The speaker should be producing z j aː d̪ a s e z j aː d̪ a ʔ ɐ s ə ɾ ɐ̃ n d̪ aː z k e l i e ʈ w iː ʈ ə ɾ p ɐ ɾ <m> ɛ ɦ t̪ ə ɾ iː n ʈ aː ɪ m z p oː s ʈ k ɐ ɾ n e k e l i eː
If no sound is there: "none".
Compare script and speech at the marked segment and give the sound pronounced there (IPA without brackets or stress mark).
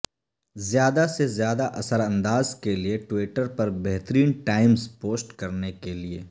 b